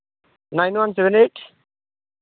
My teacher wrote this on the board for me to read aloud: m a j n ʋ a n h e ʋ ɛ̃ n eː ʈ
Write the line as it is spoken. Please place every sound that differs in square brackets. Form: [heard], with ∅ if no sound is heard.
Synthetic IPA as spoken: [n] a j n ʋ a n [s] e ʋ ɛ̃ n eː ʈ